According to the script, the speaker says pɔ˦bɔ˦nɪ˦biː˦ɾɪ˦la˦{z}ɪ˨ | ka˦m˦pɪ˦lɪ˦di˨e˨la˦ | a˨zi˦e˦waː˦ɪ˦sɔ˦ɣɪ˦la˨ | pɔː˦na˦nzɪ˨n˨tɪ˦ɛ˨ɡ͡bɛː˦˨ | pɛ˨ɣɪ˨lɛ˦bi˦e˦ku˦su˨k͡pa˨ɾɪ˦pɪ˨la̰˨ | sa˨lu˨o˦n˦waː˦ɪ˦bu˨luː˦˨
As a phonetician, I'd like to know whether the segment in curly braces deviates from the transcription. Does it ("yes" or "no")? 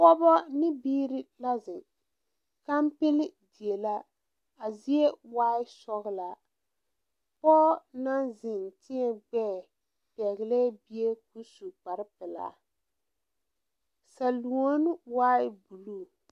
no